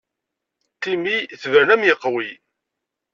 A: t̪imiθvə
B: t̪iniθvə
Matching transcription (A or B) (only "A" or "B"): A